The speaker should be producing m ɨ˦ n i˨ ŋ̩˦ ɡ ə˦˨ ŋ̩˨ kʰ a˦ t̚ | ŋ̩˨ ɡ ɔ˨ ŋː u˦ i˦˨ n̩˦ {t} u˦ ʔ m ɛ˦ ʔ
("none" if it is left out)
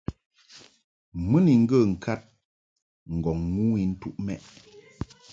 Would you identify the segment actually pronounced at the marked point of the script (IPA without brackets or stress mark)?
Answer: t